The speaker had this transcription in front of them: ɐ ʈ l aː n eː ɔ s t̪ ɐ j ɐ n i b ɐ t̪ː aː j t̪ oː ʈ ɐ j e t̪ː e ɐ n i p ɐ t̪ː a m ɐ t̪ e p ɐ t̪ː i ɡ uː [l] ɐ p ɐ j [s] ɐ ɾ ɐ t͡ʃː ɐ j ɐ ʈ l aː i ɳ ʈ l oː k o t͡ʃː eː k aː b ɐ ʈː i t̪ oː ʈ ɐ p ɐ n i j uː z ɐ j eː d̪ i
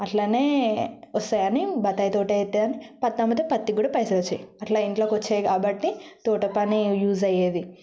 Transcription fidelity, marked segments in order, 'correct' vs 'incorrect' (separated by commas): incorrect, correct